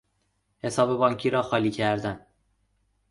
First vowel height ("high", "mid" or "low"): mid